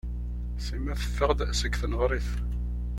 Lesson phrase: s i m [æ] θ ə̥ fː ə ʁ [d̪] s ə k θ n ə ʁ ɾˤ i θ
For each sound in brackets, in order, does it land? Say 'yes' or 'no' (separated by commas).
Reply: yes, yes